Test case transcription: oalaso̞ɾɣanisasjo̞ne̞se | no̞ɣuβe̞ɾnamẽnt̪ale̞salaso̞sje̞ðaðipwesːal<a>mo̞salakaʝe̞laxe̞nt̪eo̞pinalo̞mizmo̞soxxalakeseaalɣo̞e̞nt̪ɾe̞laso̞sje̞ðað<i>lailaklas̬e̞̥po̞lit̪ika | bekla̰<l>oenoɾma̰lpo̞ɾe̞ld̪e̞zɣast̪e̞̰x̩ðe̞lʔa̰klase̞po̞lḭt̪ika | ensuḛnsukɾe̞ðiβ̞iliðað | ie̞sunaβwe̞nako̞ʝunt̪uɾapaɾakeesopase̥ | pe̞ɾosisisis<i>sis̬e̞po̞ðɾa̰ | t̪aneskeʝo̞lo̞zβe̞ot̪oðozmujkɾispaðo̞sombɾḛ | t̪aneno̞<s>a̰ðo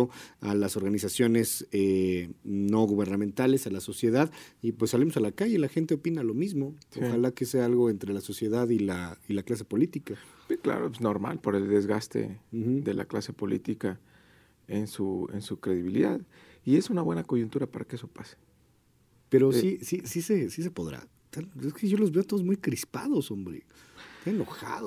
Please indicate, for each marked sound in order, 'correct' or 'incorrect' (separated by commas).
incorrect, correct, incorrect, incorrect, incorrect